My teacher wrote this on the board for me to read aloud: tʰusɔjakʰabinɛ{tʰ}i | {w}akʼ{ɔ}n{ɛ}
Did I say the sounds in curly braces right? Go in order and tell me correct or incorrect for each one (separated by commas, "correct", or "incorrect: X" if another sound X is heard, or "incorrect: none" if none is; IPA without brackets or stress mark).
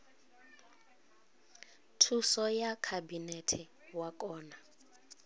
correct, correct, incorrect: ɔː, incorrect: a